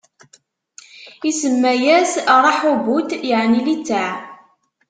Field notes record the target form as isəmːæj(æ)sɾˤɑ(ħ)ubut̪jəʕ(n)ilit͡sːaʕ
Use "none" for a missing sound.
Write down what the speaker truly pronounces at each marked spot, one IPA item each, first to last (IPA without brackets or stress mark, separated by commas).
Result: æ, ħ, n